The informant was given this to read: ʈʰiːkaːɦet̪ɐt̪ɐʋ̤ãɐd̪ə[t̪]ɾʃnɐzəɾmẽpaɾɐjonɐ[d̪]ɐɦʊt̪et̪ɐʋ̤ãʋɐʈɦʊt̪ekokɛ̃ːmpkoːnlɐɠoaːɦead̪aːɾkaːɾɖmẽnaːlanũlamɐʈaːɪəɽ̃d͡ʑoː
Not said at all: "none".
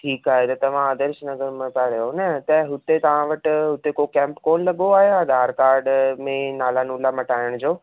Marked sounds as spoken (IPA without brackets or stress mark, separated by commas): none, t̪